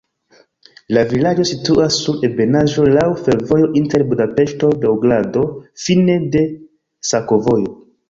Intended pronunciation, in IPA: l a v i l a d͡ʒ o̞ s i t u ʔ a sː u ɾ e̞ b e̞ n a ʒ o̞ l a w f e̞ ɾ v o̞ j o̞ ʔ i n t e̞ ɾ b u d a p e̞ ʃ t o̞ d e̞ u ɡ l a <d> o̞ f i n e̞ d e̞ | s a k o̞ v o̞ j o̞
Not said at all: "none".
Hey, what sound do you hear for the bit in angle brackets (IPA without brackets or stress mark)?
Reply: d